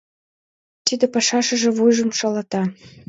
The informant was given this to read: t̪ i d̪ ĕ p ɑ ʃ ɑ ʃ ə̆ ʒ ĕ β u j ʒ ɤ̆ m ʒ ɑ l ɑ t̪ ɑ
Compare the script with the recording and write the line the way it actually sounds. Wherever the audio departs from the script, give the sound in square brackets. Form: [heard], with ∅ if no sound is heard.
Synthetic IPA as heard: t̪ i d̪ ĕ p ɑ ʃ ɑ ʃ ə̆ ʒ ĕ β u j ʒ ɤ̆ m [ʃ] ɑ l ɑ t̪ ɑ